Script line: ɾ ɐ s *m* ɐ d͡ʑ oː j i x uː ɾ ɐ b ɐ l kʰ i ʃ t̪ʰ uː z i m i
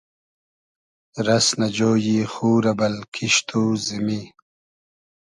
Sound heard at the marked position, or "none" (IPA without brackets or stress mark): n